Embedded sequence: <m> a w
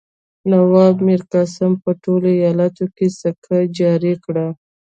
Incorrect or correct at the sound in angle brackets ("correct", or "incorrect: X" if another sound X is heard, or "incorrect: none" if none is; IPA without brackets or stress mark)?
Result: incorrect: n